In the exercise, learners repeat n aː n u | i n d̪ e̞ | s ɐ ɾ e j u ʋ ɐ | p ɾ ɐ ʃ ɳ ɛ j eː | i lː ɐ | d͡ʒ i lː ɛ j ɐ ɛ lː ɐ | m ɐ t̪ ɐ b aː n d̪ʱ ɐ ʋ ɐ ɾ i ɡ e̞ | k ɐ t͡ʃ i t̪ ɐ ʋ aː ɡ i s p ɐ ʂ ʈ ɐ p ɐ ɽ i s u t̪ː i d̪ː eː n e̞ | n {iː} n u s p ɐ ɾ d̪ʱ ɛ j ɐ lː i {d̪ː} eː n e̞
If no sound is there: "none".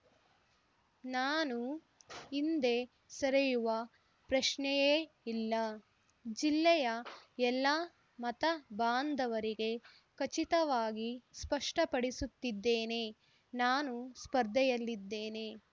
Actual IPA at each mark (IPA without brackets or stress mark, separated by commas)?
aː, d̪ː